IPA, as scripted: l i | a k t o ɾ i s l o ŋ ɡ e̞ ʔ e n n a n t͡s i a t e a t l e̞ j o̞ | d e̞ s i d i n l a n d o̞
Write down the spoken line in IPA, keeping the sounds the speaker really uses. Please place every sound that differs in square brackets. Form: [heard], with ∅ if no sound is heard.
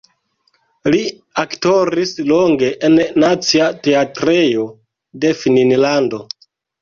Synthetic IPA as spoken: l i | a k t o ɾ i s l o ŋ ɡ e̞ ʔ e n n a [∅] t͡s i a t e a t [ɾ] e̞ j o̞ | d e̞ [f] i [n] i n l a n d o̞